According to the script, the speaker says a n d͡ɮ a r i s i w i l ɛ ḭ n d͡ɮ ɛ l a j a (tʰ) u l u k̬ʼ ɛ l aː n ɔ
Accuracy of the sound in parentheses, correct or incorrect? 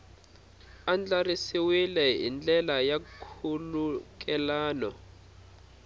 incorrect